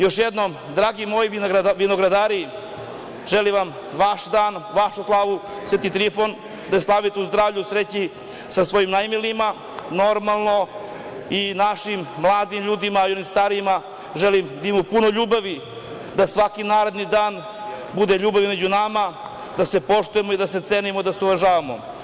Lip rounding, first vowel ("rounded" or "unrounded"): rounded